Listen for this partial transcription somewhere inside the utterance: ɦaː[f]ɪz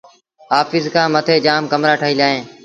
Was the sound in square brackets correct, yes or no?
yes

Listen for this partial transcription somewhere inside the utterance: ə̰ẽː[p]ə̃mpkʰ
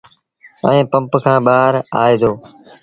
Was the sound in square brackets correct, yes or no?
yes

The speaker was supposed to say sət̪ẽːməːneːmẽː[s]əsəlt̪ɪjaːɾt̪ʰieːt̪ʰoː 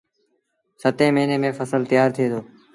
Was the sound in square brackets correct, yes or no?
no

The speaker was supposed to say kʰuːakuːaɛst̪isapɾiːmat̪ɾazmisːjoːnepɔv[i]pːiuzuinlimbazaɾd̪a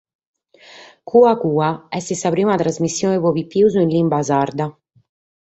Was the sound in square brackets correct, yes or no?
yes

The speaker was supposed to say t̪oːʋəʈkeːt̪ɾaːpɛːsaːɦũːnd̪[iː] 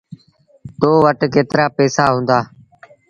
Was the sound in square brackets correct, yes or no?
no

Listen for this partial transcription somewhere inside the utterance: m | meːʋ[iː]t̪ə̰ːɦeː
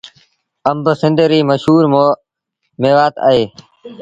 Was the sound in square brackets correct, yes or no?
no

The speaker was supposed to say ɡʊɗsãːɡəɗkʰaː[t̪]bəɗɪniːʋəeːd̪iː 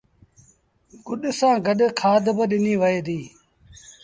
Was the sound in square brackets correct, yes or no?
no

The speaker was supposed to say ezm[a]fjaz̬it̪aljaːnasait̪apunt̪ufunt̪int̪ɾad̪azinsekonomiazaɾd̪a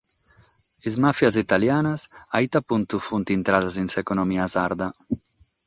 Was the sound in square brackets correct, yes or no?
yes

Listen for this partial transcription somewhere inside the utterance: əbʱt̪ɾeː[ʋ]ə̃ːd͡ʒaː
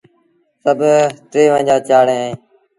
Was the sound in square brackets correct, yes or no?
yes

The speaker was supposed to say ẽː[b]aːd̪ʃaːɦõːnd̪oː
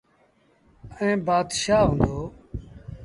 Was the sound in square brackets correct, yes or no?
yes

